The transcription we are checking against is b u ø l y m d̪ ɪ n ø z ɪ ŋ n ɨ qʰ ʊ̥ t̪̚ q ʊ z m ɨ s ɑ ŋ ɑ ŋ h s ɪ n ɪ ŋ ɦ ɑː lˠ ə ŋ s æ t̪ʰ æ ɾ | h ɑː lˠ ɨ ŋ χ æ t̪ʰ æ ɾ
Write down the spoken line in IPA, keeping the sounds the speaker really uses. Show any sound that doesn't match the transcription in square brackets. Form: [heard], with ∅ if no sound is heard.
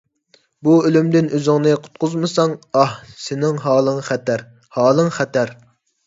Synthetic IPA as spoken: b u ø l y m d̪ ɪ n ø z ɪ ŋ n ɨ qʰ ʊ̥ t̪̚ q ʊ z m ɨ s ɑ ŋ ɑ [∅] h s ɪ n ɪ ŋ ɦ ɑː lˠ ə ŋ [χ] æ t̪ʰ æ ɾ | h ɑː lˠ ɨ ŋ χ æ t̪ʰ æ ɾ

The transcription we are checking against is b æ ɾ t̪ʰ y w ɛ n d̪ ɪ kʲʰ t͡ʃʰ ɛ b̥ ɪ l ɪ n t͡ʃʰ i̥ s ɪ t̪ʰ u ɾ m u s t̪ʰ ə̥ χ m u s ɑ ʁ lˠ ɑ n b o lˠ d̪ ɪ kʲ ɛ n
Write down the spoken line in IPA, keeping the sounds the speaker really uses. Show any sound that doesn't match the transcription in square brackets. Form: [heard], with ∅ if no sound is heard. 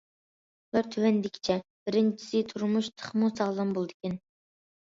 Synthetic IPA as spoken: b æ ɾ t̪ʰ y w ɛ n d̪ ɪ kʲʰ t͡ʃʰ ɛ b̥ ɪ [ɾ] ɪ n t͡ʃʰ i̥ s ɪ t̪ʰ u ɾ m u [ʃ] t̪ʰ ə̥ χ m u s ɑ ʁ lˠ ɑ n b o lˠ d̪ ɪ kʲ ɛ n

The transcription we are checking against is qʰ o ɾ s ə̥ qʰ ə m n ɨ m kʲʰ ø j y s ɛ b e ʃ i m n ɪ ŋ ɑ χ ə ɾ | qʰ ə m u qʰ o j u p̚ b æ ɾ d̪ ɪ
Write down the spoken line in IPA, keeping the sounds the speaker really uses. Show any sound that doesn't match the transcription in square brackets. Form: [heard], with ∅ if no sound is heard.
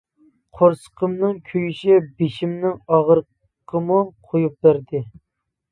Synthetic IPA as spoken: qʰ o ɾ s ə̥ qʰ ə m n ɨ [ŋ] kʲʰ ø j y [ʃ] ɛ b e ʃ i m n ɪ ŋ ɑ [ʁ] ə ɾ | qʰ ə m u qʰ o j u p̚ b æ ɾ d̪ ɪ

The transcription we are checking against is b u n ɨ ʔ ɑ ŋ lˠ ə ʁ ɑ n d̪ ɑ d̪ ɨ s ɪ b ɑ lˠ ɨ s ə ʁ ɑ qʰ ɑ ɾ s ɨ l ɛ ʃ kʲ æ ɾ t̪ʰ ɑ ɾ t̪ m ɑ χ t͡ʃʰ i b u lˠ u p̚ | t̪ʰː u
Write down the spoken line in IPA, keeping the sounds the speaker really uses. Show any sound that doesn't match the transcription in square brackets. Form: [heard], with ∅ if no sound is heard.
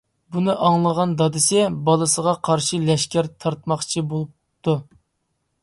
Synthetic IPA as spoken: b u n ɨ ʔ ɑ ŋ lˠ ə ʁ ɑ n d̪ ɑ d̪ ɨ s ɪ b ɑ lˠ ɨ s ə ʁ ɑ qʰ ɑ ɾ [ʃ] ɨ l ɛ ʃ kʲ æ ɾ t̪ʰ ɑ ɾ t̪ m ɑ χ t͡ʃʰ i b [o] lˠ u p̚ | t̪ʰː u

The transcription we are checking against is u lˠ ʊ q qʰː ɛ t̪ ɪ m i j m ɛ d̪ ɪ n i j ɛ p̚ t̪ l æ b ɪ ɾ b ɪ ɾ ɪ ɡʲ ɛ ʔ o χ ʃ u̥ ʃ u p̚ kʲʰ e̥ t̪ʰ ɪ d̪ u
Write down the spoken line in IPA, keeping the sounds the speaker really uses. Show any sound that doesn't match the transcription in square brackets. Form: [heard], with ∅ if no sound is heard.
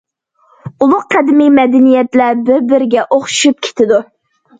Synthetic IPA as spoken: u lˠ ʊ q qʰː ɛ [d̪] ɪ m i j m ɛ d̪ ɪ n i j ɛ [∅] t̪ l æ b ɪ ɾ b ɪ ɾ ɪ ɡʲ ɛ ʔ o χ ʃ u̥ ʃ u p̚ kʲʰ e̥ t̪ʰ ɪ d̪ u

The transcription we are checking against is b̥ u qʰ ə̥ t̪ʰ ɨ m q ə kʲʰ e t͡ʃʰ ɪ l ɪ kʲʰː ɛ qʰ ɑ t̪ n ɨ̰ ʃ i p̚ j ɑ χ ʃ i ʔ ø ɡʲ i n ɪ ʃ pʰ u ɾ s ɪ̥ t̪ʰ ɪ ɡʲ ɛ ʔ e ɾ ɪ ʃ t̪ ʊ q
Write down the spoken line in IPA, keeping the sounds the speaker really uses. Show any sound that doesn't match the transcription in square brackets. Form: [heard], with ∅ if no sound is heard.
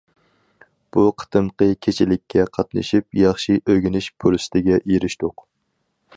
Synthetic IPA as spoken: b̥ u qʰ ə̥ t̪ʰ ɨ m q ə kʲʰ e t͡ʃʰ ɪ l ɪ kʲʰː ɛ qʰ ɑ t̪ n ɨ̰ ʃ i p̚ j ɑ χ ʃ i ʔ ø ɡʲ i n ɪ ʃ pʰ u ɾ s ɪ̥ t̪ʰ ɪ ɡʲ ɛ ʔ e ɾ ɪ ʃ t̪ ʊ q

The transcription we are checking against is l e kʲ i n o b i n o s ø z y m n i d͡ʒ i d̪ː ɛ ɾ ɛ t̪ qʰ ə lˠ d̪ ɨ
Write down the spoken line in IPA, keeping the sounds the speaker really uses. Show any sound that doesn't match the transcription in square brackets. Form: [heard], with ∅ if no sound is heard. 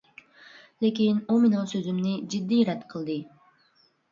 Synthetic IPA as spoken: l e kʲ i n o [m] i n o s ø z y m n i d͡ʒ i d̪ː [i] ɾ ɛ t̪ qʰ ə lˠ d̪ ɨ

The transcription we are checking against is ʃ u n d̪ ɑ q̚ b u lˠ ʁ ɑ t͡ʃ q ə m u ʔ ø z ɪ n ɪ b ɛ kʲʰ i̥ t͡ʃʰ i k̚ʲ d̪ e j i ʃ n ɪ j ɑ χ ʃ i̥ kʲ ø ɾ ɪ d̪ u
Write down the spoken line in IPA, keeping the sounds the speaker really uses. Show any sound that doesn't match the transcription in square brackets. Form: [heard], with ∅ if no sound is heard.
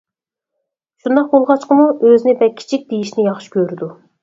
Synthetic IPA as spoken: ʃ u n d̪ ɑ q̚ b [o] lˠ ʁ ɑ t͡ʃ q ə m u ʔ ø z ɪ n ɪ b ɛ kʲʰ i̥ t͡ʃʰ i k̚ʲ d̪ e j i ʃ n ɪ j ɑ χ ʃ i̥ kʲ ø ɾ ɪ d̪ u

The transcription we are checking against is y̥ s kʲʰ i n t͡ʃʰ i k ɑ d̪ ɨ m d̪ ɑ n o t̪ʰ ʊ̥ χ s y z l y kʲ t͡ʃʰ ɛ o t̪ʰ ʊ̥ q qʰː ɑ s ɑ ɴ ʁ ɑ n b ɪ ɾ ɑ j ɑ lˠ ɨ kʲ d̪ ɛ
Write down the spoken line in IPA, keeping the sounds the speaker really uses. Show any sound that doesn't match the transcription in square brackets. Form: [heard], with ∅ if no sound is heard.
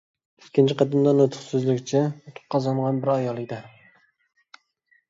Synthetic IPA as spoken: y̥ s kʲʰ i n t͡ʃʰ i [q] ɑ d̪ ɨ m d̪ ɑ n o t̪ʰ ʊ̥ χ s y z l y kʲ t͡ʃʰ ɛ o t̪ʰ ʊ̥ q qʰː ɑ [z] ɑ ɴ ʁ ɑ n b ɪ ɾ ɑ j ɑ lˠ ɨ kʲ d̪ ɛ

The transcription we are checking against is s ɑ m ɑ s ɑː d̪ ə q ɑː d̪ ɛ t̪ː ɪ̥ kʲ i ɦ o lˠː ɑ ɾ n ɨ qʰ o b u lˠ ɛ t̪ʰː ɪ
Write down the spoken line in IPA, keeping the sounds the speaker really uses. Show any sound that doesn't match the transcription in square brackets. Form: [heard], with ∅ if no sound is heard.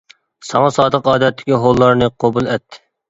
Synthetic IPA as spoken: s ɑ [ŋ] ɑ s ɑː d̪ ə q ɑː d̪ ɛ t̪ː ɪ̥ kʲ i ɦ o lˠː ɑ ɾ n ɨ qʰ o b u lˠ ɛ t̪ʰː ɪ

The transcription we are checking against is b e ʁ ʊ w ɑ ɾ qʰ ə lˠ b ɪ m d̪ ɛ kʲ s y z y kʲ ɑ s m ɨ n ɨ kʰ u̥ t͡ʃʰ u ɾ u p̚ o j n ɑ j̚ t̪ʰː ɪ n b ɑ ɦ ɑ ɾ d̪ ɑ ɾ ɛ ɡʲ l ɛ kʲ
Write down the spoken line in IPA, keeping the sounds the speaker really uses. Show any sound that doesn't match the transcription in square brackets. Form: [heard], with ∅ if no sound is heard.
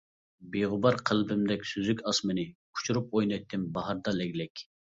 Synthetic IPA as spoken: b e ʁ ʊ [b] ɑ ɾ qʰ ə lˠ b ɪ m d̪ ɛ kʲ s y z y kʲ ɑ s m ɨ n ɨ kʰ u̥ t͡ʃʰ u ɾ u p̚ o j n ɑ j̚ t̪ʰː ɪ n b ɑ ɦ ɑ ɾ d̪ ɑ [l] ɛ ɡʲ l ɛ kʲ

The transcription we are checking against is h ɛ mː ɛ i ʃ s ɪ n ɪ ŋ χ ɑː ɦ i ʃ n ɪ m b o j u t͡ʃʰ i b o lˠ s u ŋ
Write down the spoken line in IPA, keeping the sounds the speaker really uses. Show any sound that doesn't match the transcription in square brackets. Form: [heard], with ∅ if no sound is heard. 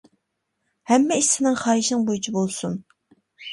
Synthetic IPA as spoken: h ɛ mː ɛ i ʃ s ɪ n ɪ ŋ χ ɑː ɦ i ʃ n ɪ [ŋ] b o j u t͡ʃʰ i b o lˠ s u [n]

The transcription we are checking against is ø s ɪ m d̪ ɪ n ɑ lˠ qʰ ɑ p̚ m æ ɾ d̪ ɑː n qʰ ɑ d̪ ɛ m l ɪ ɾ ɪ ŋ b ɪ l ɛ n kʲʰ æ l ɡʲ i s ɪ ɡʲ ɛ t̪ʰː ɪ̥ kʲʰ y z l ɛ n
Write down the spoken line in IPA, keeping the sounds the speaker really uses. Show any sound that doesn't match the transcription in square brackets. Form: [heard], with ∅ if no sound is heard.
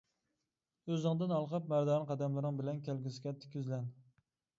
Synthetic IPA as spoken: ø [z] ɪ [ŋ] d̪ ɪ n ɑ lˠ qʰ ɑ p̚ m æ ɾ d̪ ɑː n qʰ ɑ d̪ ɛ m l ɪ ɾ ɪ ŋ b ɪ l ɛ n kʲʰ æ l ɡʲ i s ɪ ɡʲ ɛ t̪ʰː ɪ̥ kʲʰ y z l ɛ n

